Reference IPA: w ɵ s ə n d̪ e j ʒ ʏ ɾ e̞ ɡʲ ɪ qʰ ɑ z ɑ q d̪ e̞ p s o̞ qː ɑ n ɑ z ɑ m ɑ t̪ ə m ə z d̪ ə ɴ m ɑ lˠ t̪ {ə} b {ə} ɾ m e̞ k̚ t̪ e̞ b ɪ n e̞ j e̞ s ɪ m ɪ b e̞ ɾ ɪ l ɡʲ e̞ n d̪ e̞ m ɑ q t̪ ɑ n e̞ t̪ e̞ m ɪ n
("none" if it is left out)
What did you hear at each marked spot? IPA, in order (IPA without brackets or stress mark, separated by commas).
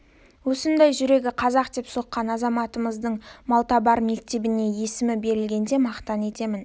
ɑ, ɑ